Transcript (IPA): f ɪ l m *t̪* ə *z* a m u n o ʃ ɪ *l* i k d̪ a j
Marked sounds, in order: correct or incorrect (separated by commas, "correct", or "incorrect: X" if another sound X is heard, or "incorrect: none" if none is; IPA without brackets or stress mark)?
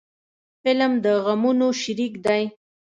incorrect: d̪, incorrect: ɣ, incorrect: ɾ